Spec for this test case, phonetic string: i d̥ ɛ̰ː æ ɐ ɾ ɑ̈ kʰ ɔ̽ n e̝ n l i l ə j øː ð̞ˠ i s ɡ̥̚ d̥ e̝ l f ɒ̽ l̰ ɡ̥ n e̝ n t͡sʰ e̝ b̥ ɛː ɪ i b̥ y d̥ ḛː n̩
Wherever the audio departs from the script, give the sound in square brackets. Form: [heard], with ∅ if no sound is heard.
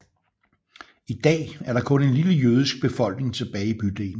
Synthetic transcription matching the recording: i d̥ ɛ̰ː æ ɐ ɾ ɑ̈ kʰ ɔ̽ n e̝ n l i l ə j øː ð̞ˠ i s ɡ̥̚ [b̥] e̝ [∅] f ɒ̽ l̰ ɡ̥ n e̝ [ŋ] t͡sʰ e̝ b̥ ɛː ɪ i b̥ y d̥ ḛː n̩